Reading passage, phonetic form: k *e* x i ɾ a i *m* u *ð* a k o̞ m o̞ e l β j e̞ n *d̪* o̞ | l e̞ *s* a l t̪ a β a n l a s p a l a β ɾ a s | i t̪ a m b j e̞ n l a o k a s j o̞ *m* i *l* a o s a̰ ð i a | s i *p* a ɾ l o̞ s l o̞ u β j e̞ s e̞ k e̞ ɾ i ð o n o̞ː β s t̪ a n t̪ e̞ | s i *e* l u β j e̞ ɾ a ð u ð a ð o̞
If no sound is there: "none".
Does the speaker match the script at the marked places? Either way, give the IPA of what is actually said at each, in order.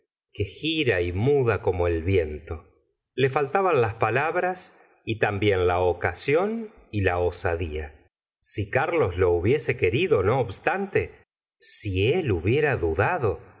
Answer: e, m, ð, t̪, f, n, l, k, e

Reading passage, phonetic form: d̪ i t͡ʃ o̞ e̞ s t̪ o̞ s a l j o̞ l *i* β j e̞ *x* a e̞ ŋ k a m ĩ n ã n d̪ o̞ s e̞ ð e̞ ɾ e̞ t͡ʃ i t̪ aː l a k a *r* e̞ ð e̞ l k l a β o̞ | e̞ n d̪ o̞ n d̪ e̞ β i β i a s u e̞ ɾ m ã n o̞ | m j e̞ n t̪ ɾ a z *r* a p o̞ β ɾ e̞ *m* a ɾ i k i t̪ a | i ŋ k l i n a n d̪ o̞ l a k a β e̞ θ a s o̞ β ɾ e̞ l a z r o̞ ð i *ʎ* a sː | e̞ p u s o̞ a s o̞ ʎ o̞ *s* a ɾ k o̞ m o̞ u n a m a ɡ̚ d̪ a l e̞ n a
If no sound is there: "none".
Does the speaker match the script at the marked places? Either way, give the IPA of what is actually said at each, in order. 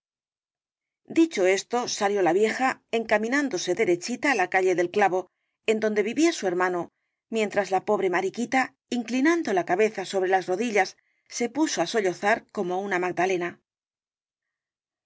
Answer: a, x, ʎ, l, m, ʎ, θ

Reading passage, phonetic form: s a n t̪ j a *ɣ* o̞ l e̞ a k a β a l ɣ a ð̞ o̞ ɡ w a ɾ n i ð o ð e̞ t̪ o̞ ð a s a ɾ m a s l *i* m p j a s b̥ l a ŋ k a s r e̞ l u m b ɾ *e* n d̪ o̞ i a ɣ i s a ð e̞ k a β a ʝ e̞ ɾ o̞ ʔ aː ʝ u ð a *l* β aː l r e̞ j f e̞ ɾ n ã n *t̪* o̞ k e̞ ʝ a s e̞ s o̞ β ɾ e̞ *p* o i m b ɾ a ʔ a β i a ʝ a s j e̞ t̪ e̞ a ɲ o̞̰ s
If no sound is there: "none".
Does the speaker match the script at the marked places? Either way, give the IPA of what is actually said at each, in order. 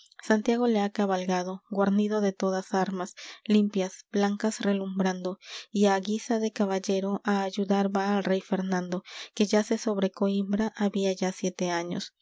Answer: ɣ, i, a, ɾ, d̪, k

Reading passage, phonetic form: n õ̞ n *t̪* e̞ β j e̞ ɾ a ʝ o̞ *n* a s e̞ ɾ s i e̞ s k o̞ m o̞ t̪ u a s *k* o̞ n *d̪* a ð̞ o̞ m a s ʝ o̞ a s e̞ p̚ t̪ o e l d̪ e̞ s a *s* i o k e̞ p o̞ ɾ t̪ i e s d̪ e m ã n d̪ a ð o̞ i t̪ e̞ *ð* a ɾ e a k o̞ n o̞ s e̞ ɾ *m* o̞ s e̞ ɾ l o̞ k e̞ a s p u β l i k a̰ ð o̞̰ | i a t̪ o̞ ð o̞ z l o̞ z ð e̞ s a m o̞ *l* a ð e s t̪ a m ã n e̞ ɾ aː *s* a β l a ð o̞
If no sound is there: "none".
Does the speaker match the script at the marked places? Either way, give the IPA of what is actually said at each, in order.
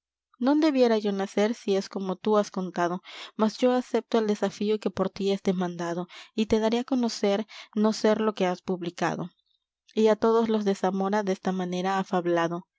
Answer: d̪, n, k, t̪, f, ð, n, ɾ, f

